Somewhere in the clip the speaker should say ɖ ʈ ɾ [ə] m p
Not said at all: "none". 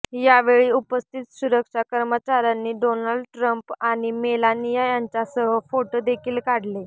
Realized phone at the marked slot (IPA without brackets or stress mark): ə